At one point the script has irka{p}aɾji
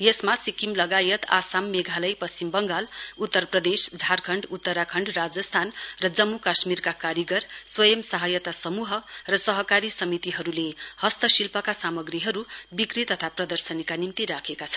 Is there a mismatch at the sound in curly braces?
yes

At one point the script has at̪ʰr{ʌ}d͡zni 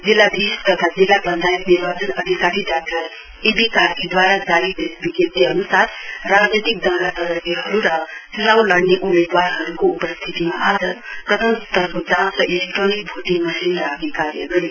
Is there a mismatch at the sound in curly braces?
yes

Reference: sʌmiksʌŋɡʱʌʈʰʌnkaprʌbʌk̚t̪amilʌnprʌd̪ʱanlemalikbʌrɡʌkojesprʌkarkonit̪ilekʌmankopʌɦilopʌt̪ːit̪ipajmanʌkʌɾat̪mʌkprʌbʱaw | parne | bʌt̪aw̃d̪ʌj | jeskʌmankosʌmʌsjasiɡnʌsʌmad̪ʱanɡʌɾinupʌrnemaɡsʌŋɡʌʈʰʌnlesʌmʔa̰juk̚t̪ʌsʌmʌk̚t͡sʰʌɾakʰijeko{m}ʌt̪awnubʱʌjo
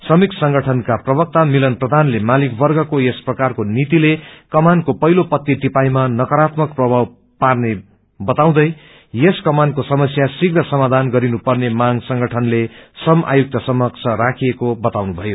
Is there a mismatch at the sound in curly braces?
yes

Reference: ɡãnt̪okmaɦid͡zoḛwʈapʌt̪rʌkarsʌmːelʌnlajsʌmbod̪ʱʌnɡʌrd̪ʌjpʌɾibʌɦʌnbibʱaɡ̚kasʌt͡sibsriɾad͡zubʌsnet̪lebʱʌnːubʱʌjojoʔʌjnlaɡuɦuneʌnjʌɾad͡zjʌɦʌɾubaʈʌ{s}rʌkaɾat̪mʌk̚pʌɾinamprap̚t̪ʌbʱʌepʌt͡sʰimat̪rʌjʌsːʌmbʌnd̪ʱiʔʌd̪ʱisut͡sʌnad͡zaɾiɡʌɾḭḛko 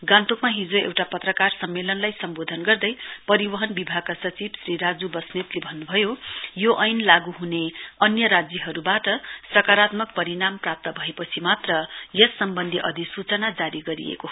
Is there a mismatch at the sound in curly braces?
no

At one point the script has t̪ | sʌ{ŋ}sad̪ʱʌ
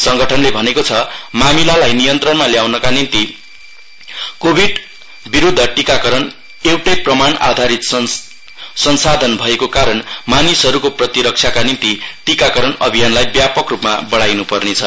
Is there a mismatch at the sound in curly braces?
yes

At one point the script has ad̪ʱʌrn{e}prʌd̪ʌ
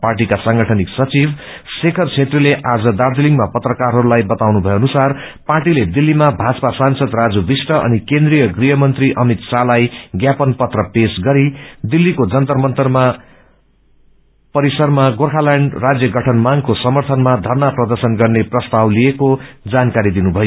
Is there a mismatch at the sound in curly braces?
yes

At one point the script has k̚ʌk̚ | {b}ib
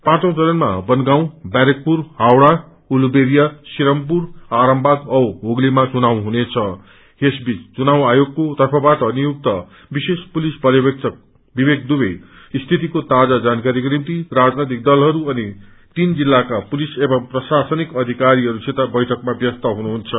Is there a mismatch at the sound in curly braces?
no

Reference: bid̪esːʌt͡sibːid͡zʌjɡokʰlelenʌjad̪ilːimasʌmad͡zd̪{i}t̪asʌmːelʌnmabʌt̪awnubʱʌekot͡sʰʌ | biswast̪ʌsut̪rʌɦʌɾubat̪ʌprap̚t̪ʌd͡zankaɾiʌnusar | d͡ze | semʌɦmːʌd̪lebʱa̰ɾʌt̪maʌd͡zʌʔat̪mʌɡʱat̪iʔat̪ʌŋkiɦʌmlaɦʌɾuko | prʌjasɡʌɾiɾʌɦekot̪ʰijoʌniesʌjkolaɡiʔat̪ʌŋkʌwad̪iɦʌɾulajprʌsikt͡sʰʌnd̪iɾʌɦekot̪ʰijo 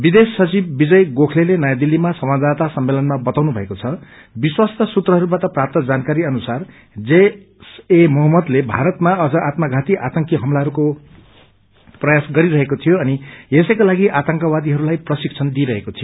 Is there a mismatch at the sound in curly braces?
yes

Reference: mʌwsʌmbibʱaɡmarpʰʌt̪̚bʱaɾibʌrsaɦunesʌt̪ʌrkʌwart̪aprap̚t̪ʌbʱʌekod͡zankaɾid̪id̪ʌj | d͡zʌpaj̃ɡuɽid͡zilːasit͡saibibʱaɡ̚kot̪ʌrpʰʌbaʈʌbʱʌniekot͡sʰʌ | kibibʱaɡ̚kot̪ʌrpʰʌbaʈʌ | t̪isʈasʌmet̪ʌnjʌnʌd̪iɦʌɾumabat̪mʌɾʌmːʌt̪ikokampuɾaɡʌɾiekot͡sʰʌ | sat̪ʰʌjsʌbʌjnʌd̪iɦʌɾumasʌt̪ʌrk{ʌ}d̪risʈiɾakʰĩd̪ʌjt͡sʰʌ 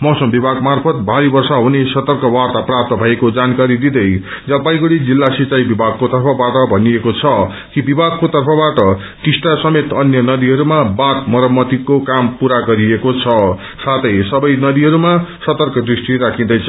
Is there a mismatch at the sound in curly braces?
no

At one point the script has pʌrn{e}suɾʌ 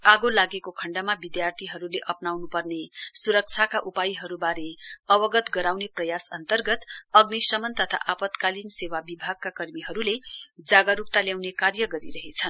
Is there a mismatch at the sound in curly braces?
no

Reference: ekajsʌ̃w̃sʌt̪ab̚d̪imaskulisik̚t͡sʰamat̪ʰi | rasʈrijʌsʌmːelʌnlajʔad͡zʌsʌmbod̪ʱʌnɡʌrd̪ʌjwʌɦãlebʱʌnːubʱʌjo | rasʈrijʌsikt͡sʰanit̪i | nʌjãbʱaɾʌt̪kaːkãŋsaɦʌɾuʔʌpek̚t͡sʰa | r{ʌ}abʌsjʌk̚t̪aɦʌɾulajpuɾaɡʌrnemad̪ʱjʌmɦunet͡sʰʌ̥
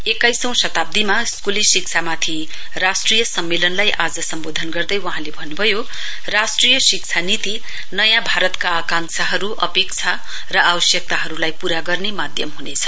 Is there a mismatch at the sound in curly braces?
no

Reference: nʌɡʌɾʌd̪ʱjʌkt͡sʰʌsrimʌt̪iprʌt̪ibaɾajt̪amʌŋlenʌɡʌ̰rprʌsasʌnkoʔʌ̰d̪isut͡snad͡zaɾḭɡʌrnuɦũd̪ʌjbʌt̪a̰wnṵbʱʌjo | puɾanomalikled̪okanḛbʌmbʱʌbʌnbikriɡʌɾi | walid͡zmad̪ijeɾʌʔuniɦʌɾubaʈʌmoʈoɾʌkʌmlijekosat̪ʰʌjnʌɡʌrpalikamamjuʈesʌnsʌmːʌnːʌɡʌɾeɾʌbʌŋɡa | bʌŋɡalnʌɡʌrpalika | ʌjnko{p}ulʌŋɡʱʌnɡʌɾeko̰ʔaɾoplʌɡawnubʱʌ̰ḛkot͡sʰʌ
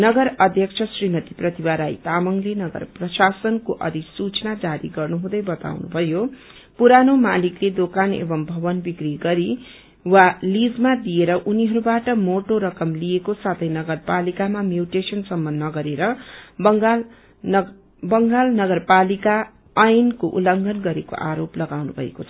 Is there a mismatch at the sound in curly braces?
yes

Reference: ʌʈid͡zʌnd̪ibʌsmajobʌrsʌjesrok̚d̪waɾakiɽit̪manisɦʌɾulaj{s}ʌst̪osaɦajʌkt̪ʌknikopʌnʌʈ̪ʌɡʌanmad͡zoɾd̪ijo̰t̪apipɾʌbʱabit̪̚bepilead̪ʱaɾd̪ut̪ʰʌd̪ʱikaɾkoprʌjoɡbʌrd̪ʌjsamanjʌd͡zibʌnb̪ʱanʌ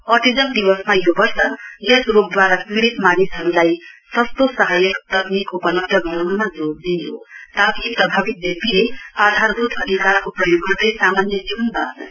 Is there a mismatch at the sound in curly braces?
no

